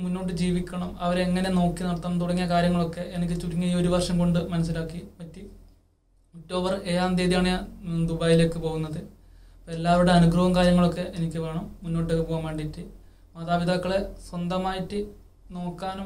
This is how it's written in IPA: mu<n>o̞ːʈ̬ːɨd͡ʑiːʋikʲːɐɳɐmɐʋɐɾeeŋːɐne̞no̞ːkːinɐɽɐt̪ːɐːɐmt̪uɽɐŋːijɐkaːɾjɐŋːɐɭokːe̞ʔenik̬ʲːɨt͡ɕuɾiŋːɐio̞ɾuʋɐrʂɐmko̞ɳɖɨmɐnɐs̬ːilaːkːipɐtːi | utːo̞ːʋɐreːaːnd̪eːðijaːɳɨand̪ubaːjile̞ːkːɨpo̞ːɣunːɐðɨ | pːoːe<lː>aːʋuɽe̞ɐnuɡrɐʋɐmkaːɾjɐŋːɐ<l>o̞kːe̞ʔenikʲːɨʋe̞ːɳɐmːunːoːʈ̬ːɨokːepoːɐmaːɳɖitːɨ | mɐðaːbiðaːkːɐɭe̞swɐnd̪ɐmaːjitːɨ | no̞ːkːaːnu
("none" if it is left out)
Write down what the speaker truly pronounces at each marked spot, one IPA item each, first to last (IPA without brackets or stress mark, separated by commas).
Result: nː, lː, ɭ